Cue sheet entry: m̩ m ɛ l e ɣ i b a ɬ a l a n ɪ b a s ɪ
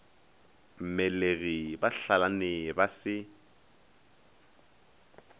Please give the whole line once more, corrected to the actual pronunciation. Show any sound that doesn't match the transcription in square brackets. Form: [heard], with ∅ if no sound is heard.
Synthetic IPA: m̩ m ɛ l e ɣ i b a ɬ a l a n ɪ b a s ɪ

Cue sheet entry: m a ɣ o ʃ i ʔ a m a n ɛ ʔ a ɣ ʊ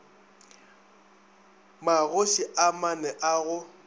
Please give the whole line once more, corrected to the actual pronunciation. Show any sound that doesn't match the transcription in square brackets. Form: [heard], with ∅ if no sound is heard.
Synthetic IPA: m a ɣ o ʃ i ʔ a m a n ɛ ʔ a ɣ ʊ

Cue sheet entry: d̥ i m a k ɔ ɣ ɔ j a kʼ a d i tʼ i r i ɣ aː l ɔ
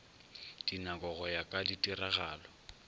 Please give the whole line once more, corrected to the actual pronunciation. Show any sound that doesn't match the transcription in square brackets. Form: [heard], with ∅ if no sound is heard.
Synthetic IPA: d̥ i [n] a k ɔ ɣ ɔ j a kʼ a d i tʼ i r [a] ɣ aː l ɔ

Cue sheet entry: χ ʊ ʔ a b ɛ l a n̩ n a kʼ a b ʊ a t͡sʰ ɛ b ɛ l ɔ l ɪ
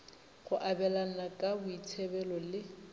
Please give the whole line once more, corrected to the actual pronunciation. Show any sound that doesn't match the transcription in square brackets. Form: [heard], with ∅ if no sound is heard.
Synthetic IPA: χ ʊ ʔ a b ɛ l a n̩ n a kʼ a b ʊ [i] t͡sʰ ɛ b ɛ l ɔ l ɪ

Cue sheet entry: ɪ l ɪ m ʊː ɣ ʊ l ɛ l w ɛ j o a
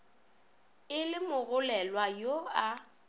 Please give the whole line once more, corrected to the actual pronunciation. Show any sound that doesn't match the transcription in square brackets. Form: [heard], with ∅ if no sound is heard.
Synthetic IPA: ɪ l ɪ m [ʊ] ɣ ʊ l ɛ l w [a] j o a

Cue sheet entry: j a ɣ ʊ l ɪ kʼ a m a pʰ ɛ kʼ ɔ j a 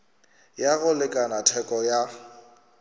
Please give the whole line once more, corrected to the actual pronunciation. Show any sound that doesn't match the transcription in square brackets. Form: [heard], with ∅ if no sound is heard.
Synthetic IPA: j a ɣ ʊ l ɪ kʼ a [n] a [tʰ] ɛ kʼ ɔ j a

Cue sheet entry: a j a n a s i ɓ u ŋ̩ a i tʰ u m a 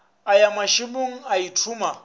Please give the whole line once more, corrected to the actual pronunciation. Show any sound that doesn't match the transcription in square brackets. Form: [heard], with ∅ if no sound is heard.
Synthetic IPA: a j a [m] a [ʃ] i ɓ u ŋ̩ a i tʰ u m a

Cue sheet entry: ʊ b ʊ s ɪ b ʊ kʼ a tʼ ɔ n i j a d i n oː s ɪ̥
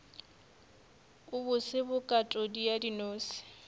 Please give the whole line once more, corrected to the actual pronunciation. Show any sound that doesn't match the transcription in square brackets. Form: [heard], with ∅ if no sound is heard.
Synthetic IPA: ʊ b ʊ s ɪ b ʊ kʼ a tʼ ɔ [d] i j a d i n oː s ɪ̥

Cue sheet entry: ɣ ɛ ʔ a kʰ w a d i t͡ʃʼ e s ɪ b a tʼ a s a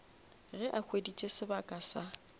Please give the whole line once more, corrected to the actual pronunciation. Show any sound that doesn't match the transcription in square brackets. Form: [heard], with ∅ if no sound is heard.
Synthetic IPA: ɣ ɛ ʔ a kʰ w [e] d i t͡ʃʼ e s ɪ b a [kʼ] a s a

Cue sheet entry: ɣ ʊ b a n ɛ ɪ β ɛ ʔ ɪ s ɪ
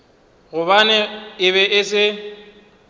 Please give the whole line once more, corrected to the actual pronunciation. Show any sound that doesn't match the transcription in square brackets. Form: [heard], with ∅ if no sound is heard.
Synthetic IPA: ɣ ʊ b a n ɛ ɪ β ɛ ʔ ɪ s ɪ

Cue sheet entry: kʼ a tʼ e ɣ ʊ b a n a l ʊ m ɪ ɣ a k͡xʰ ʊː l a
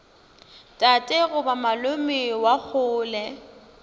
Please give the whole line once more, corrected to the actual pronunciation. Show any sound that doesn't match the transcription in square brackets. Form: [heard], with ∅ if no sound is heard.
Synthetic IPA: [tʼ] a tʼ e ɣ ʊ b a [m] a l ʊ m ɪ [w] a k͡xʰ ʊː l [ɛ]

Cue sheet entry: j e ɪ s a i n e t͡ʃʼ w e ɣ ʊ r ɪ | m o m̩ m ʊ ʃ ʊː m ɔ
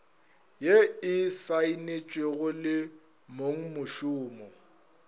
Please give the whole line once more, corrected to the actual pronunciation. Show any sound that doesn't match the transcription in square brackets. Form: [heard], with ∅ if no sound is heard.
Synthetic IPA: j e ɪ s a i n e t͡ʃʼ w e ɣ ʊ [l] ɪ | m o [ŋ̩] m ʊ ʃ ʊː m ɔ

